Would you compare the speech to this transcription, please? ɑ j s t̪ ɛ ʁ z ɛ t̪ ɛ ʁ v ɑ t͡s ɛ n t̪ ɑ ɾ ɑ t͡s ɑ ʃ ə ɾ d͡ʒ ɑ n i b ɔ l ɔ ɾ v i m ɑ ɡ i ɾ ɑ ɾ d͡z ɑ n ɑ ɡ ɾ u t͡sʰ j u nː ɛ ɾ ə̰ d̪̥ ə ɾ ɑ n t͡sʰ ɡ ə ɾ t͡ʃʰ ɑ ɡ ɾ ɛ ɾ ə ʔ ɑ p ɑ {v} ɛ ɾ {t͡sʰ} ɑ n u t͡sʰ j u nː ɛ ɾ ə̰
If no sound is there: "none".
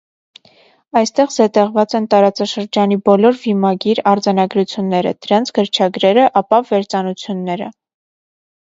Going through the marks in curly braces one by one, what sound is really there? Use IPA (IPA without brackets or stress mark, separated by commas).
v, t͡s